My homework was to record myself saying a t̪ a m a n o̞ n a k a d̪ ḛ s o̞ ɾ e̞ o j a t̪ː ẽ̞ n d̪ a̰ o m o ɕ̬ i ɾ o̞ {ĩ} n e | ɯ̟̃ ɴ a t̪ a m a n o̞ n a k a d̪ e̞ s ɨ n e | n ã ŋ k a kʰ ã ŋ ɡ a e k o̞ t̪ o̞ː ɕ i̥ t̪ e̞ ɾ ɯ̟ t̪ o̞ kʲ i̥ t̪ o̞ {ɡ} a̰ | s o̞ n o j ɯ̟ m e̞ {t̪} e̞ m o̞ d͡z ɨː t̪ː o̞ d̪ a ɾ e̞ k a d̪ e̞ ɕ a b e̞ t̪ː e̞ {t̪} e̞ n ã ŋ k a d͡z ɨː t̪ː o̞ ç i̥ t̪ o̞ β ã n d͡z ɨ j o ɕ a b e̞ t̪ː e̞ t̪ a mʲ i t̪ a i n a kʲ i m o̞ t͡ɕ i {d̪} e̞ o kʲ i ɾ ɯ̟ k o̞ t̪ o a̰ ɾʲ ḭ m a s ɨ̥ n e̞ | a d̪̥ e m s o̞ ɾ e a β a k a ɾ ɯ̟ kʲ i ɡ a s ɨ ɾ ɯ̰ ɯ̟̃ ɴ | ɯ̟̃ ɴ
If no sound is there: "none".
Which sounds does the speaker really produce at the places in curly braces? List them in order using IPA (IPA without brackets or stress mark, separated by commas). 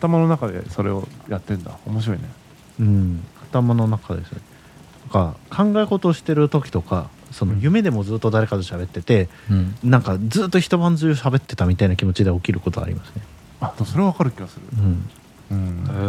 i, k, d̪, t̪, d̪